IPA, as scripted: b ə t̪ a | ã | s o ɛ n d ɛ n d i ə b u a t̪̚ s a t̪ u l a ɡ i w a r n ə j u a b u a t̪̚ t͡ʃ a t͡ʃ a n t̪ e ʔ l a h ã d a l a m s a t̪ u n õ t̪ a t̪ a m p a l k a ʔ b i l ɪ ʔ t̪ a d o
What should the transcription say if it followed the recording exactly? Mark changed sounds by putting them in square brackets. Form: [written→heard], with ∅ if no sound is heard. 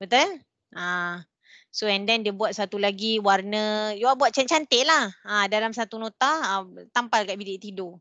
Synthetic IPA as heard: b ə t̪ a | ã | s o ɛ n d ɛ n d i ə b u a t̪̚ s a t̪ u l a ɡ i w a r n ə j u a b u a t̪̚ t͡ʃ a t͡ʃ a n t̪ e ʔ l a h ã d a l a m s a t̪ u n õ t̪ a t̪ a m p a l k a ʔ b i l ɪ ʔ t̪ [a→i] d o